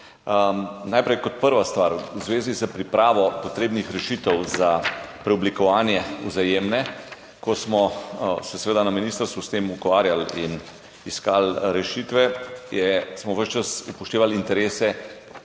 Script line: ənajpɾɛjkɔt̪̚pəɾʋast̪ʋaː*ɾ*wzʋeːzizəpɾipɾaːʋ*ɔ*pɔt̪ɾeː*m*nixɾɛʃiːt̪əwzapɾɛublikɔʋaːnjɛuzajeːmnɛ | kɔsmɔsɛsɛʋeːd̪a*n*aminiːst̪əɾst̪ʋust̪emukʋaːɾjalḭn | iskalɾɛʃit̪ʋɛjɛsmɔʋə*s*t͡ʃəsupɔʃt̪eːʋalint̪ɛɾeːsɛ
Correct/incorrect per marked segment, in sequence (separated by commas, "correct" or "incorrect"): correct, correct, incorrect, correct, incorrect